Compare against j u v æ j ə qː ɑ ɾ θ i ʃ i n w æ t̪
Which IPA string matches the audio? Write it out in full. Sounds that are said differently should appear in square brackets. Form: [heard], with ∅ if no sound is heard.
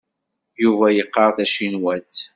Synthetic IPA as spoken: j u v æ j ə qː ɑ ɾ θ [æ] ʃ i n w æ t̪